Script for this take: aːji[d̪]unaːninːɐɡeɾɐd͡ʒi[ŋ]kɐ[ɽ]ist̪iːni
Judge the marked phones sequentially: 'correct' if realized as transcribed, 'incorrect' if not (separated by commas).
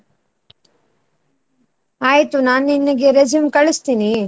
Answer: incorrect, incorrect, incorrect